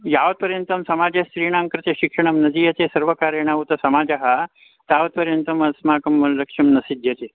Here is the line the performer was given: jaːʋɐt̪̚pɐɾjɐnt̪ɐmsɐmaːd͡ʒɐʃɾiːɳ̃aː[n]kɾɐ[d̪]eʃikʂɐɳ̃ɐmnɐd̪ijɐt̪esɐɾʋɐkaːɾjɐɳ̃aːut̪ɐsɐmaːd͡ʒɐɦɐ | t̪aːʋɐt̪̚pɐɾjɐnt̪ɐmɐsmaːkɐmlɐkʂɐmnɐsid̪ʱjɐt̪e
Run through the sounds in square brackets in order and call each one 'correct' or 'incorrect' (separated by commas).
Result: incorrect, incorrect